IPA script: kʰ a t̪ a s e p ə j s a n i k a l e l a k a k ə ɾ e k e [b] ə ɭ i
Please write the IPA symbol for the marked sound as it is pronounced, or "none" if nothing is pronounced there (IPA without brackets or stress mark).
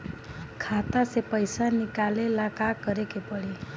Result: p